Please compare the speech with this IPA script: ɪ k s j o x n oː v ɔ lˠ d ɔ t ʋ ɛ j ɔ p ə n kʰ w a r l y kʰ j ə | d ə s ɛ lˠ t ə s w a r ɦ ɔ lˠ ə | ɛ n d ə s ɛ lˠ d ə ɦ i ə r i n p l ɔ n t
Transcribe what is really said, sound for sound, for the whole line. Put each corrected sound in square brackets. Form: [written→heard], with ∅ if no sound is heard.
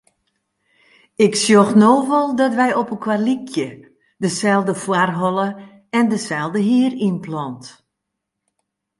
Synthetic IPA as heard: ɪ k s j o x n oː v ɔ lˠ d ɔ t ʋ ɛ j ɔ p ə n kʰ w a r l [y→i] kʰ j ə | d ə s ɛ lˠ [t→d] ə [s→f] w a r ɦ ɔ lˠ ə | ɛ n d ə s ɛ lˠ d ə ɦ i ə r i n p l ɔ n t